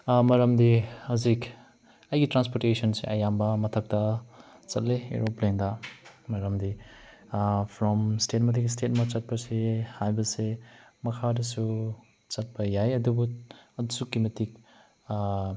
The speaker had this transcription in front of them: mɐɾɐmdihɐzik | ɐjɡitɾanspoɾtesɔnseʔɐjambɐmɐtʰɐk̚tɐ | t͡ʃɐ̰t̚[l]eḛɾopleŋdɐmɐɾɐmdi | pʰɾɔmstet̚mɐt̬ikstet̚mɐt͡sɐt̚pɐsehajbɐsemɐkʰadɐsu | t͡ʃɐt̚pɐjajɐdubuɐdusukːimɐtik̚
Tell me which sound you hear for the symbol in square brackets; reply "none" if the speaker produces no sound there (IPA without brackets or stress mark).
l